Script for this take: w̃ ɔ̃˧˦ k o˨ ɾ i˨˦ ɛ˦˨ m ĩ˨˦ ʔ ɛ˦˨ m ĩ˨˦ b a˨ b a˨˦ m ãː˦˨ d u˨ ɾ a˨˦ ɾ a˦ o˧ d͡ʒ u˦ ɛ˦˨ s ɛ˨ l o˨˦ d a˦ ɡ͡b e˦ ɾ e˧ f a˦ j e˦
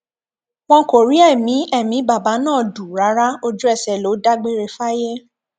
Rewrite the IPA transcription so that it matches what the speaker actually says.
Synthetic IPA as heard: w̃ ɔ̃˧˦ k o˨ ɾ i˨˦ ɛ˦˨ m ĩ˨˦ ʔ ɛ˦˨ m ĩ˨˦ b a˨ b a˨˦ n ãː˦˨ d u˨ ɾ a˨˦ ɾ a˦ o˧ d͡ʒ u˦ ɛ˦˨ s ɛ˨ l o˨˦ d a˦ ɡ͡b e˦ ɾ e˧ f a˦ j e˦